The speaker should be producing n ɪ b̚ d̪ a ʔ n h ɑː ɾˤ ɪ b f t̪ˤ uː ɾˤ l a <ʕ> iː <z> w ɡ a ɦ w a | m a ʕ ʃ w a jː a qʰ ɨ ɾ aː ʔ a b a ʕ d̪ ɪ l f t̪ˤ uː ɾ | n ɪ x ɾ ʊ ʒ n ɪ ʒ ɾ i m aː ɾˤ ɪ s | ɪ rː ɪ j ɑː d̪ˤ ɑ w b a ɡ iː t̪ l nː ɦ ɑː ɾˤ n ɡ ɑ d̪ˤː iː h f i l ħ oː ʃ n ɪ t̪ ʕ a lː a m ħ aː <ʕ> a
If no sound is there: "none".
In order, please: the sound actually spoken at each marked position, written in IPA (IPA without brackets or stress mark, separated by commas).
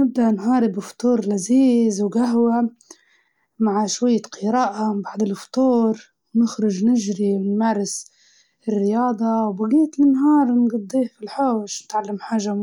z, z, ʒ